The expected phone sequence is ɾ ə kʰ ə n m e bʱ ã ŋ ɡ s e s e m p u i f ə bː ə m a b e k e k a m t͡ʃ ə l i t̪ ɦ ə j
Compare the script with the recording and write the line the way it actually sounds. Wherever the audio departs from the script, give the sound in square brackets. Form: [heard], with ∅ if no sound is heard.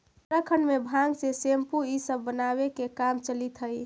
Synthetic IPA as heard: ɾ ə kʰ ə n m e bʱ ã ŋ ɡ s e s e m p u i [s] ə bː ə [n] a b e k e k a m t͡ʃ ə l i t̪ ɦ ə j